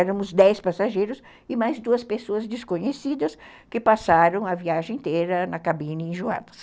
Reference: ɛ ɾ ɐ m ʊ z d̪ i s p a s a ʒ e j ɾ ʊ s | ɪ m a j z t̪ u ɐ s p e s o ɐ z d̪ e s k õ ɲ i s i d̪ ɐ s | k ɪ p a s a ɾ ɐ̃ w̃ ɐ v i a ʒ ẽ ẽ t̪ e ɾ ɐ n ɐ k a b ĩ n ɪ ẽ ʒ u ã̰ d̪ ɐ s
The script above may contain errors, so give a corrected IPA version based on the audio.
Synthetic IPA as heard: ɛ ɾ ɐ m ʊ z d̪ ɛ s p a s a ʒ e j ɾ ʊ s | ɪ m a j z d̪ u ɐ s p e s o ɐ z d̪ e s k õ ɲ e s i d̪ ɐ s | k ɪ p a s a ɾ ɐ̃ w̃ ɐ v i a ʒ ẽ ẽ t̪ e ɾ ɐ n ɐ k a b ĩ n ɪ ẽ ʒ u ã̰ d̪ ɐ s